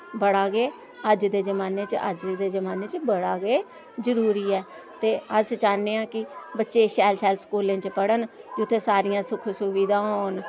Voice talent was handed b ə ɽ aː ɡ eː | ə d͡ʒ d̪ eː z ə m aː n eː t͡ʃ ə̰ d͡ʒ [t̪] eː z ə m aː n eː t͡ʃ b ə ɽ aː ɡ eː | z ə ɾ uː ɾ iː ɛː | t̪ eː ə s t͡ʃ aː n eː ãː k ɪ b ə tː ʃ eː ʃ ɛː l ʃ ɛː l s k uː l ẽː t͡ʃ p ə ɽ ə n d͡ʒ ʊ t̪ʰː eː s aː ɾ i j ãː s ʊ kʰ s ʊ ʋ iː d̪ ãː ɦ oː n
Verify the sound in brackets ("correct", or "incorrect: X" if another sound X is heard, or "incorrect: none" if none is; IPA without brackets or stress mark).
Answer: incorrect: d̪